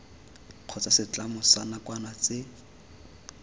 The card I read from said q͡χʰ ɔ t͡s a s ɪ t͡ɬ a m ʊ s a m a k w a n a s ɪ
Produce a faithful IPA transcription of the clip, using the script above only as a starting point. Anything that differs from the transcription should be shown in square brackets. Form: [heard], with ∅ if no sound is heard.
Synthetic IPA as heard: q͡χʰ ɔ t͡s a s ɪ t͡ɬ a m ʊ s a [n] a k w a n a [t͡s] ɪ